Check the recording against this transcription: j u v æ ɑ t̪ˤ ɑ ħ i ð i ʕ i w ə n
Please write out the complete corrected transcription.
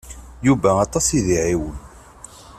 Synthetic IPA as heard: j u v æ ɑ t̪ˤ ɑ s i ð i ʕ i w ə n